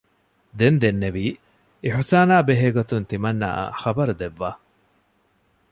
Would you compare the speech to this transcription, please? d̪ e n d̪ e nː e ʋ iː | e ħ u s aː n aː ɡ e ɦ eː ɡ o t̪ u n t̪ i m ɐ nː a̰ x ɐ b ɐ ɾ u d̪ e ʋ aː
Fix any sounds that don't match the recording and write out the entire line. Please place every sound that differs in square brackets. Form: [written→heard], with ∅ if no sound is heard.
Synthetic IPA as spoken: d̪ e n d̪ e nː e ʋ iː | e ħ u s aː n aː [ɡ→b] e ɦ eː ɡ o t̪ u n t̪ i m ɐ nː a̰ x ɐ b ɐ ɾ u d̪ e [ʋ→ʋː] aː